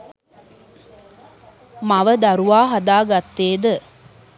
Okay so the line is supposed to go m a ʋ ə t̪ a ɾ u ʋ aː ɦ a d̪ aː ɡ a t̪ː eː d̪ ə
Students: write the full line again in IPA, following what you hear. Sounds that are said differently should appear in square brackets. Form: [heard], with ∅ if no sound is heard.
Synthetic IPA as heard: m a ʋ ə [d̪] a ɾ u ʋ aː ɦ a d̪ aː ɡ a t̪ː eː d̪ ə

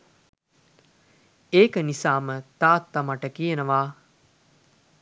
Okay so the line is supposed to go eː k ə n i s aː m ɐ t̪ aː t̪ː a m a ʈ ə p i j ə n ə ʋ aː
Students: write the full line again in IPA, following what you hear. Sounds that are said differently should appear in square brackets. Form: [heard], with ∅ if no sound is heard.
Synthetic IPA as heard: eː k ə n i s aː m [ə] t̪ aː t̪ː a m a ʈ ə [k] i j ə n ə ʋ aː

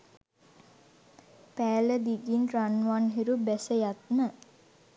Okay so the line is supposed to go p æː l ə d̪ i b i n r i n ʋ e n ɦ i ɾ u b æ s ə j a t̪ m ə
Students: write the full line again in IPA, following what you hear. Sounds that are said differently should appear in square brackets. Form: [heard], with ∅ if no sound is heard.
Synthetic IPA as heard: p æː l ə d̪ i [ɡ] i n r [a] n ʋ [a] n ɦ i ɾ u b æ s ə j a t̪ m ə

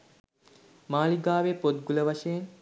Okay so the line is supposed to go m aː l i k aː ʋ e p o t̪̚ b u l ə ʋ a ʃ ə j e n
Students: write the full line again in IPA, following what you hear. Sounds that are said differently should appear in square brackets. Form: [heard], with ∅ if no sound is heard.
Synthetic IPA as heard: m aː l i [ɡ] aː ʋ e p o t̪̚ [ɡ] u l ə ʋ a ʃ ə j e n

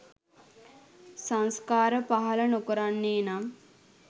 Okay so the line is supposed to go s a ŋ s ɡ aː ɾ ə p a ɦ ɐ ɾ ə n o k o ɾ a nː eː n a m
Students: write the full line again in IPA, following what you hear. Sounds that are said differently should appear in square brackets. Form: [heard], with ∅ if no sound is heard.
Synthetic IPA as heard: s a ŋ s [k] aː ɾ ə p a ɦ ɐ [l] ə n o k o ɾ a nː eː n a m

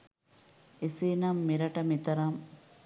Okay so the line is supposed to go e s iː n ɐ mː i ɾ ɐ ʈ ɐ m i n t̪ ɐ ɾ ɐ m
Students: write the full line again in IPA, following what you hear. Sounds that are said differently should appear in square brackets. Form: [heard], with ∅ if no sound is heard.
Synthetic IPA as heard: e s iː n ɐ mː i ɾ ɐ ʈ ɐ m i [∅] t̪ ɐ ɾ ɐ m

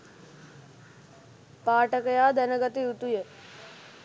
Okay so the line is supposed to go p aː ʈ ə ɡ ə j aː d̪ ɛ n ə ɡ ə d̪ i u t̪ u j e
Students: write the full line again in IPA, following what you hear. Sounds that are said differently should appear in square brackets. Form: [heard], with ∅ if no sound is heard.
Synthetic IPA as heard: p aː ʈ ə [k] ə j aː d̪ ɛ n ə ɡ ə [t̪] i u t̪ u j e

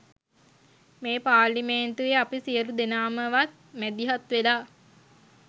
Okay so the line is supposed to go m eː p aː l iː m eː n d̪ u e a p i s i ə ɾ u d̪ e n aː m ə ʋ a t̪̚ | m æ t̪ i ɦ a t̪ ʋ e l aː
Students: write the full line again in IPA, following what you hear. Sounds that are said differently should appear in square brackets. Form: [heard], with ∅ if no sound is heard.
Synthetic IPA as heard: m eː p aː l [i] m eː n [t̪] u e a p i s i ə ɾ u d̪ e n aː m ə ʋ a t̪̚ | m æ [d̪] i ɦ a t̪ ʋ e l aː

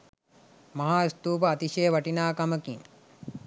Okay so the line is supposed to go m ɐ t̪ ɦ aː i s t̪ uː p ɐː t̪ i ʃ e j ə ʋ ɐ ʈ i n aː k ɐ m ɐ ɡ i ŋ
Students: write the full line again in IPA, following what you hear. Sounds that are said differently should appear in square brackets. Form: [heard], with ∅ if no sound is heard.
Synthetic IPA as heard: m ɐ [∅] ɦ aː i s t̪ uː p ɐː t̪ i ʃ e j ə ʋ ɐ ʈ i n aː k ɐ m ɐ [k] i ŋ

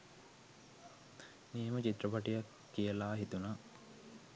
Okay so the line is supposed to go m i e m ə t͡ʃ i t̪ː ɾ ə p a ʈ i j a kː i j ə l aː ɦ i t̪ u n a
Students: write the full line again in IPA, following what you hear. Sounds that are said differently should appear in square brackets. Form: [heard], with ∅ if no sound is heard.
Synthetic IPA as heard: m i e m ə t͡ʃ i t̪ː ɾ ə p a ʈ i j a kː i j ə l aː ɦ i t̪ u n a

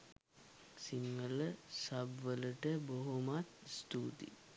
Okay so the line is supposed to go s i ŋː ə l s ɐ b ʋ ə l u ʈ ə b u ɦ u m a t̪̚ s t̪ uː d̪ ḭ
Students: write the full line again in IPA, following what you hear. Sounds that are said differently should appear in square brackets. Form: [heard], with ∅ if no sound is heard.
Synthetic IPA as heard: s i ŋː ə l s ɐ b ʋ ə l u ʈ ə b [o] ɦ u m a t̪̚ s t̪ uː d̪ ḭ

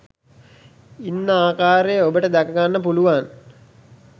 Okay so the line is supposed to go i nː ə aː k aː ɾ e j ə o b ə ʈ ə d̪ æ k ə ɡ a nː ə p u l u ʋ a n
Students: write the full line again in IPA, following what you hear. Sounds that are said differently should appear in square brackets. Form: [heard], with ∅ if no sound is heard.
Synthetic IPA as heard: i nː ə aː k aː ɾ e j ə o b ə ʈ ə d̪ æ k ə ɡ a nː ə p u l u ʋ a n

